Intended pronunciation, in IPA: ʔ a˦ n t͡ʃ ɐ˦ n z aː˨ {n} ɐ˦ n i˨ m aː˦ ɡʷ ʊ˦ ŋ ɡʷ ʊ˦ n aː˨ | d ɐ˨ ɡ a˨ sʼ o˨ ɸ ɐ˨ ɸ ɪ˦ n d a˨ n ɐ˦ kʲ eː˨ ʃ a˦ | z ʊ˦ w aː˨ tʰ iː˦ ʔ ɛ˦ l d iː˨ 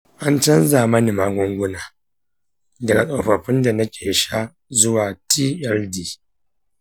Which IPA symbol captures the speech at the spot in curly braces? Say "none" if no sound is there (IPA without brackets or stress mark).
m